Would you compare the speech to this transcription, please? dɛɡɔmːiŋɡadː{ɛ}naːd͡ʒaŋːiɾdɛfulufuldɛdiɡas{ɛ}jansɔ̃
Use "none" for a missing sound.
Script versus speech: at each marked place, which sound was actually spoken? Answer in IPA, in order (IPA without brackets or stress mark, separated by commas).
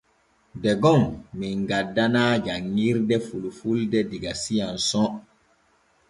a, i